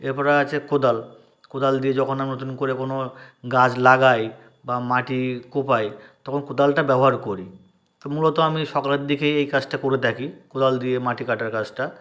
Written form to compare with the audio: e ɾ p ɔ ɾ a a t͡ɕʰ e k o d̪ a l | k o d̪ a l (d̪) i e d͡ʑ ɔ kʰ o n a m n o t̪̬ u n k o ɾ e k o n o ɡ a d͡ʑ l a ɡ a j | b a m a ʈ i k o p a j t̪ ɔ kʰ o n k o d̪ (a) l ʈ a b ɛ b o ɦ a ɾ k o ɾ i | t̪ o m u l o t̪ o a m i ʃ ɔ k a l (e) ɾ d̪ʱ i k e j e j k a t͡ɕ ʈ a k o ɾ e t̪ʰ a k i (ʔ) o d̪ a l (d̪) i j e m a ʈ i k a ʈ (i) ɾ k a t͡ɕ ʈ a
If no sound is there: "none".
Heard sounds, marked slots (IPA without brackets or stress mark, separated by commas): d̪, a, e, k, d̪, a